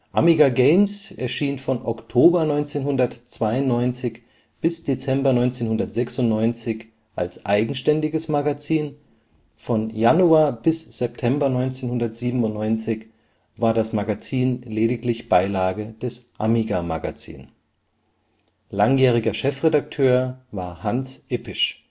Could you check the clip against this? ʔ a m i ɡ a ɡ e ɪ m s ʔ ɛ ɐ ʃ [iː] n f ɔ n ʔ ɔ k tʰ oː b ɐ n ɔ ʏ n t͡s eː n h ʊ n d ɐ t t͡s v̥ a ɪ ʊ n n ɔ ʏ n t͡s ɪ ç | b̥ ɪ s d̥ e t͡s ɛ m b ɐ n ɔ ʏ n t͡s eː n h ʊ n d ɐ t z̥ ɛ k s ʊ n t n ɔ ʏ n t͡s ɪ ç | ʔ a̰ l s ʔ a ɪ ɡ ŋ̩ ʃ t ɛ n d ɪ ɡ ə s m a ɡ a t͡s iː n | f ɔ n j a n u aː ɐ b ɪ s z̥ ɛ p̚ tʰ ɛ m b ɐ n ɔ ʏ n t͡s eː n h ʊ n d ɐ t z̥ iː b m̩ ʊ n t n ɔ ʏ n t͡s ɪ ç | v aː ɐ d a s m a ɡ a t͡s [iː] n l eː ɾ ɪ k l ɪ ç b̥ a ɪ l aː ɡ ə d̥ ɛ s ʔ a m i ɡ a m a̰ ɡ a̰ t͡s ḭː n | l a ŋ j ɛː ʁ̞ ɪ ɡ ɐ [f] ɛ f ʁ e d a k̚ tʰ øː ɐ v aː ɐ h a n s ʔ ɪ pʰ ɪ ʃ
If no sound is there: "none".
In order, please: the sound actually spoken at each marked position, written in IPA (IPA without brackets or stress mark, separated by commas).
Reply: iː, iː, ʃ